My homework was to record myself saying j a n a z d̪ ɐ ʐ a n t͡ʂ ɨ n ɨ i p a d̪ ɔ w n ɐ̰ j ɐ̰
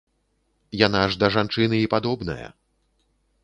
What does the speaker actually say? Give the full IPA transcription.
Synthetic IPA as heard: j a n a ʐ d̪ ɐ ʐ a n t͡ʂ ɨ n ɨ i p a d̪ ɔ b n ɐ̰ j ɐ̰